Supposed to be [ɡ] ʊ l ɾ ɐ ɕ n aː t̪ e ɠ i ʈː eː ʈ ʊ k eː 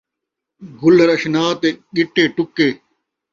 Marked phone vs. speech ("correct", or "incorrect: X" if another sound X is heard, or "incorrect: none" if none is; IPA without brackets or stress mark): correct